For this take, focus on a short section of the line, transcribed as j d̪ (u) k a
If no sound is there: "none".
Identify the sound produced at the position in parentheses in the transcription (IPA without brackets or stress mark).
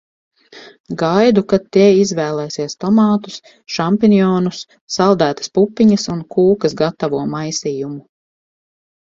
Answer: u